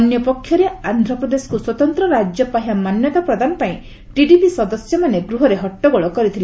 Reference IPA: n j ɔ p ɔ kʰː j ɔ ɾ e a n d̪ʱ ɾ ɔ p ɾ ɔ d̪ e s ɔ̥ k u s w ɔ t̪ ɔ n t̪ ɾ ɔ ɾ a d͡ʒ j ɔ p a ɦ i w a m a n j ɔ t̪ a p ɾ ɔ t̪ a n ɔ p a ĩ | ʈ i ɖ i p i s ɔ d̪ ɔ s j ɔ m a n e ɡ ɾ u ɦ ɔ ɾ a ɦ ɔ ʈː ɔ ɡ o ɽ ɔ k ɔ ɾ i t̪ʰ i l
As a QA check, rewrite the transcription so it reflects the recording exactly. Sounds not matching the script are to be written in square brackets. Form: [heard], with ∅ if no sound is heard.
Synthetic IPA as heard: n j ɔ p ɔ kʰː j ɔ ɾ e a n d̪ʱ ɾ ɔ p ɾ ɔ d̪ e s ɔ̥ k u s w ɔ t̪ ɔ n t̪ ɾ ɔ ɾ a d͡ʒ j ɔ p a ɦ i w a m a n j ɔ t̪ a p ɾ ɔ [d̪] a n ɔ p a ĩ | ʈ i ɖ i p i s ɔ d̪ ɔ s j ɔ m a n e ɡ ɾ u ɦ ɔ ɾ [e] ɦ ɔ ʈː ɔ ɡ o [ɭ] ɔ k ɔ ɾ i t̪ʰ i l